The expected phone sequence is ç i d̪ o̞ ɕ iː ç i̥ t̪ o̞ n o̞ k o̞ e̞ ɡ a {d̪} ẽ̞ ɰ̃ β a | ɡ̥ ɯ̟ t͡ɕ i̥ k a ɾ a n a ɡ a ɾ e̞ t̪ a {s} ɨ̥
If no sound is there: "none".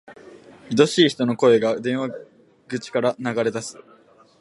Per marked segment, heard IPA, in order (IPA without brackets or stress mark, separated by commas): d̪, s